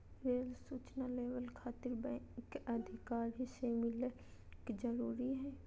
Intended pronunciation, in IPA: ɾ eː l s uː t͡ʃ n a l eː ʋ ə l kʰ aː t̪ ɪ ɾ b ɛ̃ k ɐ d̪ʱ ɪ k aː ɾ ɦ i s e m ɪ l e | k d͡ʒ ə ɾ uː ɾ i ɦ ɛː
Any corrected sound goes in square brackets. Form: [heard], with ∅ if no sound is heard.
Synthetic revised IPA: ɾ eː l s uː t͡ʃ n a l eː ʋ ə l kʰ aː t̪ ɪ ɾ b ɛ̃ k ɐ d̪ʱ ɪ k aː ɾ ɦ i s e m ɪ l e | k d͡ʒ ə ɾ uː ɾ i ɦ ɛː